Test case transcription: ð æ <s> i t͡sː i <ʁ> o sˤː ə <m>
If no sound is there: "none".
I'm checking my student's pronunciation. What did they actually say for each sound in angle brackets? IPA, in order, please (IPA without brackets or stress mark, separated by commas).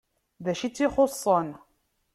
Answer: ʃ, χ, n